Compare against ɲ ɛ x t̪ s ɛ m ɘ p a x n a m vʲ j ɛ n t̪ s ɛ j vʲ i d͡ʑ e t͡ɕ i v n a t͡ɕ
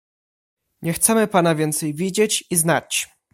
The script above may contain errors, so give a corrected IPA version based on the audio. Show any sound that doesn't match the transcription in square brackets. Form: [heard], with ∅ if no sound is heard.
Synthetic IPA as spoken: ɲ ɛ x t̪ s ɛ m ɘ p a [∅] n a [∅] vʲ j ɛ n t̪ s ɛ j vʲ i d͡ʑ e t͡ɕ i [z] n a t͡ɕ